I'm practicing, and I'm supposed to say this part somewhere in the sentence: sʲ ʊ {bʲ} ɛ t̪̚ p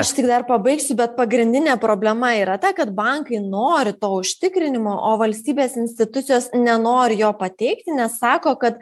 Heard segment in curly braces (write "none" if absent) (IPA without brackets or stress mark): bʲ